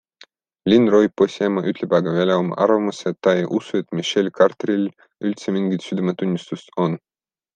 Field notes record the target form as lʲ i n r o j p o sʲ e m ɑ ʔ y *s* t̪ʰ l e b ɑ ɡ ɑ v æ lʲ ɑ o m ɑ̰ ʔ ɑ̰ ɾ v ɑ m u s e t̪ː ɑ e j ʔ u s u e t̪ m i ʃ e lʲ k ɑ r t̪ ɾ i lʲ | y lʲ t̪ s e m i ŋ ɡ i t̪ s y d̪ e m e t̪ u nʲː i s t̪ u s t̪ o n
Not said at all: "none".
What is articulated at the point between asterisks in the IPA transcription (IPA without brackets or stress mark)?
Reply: none